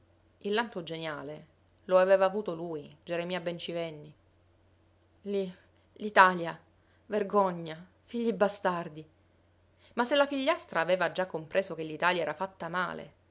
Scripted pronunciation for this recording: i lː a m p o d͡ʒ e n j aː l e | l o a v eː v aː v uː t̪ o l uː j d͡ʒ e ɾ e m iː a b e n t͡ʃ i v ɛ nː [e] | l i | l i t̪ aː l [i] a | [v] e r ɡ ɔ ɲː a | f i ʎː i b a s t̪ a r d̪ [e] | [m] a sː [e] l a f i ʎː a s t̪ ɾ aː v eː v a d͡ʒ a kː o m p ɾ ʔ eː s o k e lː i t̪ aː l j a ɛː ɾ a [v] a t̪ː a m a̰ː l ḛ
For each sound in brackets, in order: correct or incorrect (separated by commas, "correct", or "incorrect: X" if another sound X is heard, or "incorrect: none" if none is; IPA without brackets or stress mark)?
incorrect: i, incorrect: j, correct, incorrect: i, correct, correct, incorrect: f